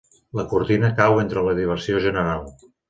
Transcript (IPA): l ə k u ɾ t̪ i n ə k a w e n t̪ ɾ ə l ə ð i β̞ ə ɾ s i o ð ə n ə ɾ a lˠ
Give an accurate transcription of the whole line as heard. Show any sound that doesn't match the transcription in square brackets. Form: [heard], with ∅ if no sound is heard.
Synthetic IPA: l ə k u ɾ t̪ i n ə k a w e n t̪ ɾ ə l ə ð i β̞ ə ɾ s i o [ʒ] ə n ə ɾ a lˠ